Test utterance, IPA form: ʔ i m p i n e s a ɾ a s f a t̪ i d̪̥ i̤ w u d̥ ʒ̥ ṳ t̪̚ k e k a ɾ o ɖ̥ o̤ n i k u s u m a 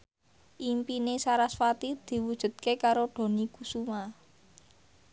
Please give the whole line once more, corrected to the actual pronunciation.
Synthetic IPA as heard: ʔ i m p i n e s a ɾ a s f a t̪ i d̪̥ i̤ w u d̥ ʒ̥ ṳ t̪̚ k e k a ɾ o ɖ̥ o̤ n i k u s u m a